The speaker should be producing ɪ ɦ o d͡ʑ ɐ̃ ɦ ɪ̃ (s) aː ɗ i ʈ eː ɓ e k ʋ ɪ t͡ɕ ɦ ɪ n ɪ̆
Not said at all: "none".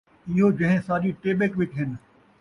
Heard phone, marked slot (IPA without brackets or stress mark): s